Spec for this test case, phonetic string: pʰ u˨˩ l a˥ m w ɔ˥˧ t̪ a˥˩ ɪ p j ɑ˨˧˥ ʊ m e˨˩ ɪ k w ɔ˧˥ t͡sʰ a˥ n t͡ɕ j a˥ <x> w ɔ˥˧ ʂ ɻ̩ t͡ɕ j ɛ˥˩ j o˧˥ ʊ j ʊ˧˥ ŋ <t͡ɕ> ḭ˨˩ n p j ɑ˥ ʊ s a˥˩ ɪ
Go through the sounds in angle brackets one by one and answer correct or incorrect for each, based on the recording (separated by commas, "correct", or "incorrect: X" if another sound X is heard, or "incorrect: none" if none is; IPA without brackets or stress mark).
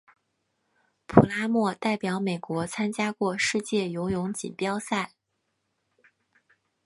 incorrect: k, correct